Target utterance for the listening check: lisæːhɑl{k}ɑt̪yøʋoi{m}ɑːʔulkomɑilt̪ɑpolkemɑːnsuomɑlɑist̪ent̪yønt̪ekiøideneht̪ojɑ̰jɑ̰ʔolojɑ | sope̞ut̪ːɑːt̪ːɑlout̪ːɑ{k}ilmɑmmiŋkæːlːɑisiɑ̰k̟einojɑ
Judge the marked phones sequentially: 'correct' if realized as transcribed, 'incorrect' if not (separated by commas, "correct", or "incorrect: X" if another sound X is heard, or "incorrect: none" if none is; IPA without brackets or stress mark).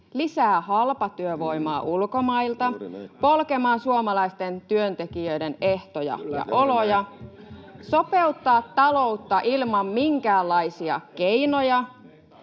incorrect: p, correct, incorrect: ʔ